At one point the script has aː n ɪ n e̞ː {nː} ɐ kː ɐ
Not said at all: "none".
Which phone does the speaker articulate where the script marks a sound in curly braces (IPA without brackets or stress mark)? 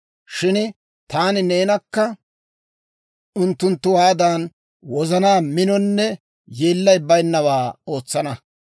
n